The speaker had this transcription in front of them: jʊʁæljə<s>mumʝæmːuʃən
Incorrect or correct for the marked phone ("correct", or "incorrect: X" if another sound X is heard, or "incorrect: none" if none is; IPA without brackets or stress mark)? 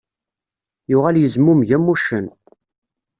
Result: incorrect: z